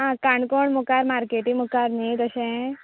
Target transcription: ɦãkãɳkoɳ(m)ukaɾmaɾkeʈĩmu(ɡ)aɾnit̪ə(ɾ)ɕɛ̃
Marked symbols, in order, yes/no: yes, no, no

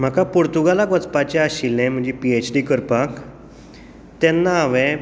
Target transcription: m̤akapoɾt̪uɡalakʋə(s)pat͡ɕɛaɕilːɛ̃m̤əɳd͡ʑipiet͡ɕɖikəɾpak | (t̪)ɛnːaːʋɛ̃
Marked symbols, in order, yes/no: no, yes

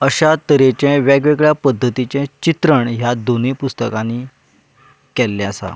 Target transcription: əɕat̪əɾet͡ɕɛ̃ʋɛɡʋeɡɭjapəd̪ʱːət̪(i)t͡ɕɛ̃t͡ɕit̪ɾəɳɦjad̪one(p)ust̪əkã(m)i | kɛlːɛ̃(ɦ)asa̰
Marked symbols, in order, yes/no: yes, yes, no, no

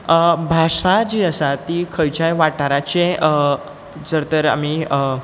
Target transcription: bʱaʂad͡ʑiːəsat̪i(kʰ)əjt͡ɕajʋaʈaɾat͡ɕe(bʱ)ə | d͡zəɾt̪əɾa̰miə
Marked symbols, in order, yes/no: yes, no

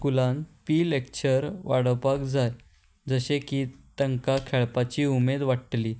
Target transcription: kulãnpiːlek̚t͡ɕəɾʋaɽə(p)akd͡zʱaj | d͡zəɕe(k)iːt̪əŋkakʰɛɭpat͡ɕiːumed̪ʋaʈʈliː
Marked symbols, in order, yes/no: yes, yes

